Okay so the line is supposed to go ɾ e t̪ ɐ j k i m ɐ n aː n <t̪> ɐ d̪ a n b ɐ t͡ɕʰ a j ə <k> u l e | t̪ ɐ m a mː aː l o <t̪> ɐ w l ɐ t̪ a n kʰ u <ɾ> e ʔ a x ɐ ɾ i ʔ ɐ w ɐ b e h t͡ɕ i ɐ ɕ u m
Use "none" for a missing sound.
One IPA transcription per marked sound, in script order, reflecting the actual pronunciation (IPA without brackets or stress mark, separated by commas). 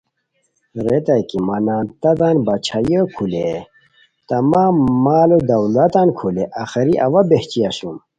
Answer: t̪, kʰ, d̪, l